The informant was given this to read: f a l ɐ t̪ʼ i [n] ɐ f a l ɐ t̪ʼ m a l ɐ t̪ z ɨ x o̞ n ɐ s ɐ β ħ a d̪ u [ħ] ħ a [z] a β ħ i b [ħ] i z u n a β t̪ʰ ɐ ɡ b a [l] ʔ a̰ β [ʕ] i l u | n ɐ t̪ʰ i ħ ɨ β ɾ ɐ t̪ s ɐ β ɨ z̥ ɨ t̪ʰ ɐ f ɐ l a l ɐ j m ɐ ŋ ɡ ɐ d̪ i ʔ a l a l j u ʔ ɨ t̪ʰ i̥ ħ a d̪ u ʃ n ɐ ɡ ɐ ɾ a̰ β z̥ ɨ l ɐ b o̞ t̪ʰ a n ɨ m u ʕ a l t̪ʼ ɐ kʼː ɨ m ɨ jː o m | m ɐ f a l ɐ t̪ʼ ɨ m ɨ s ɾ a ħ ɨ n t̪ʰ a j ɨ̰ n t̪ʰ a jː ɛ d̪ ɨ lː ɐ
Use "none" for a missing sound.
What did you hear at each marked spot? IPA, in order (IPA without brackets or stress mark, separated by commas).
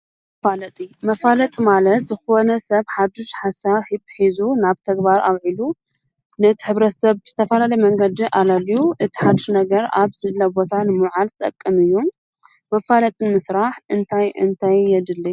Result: m, ʃ, s, ħ, ɾ, ʕ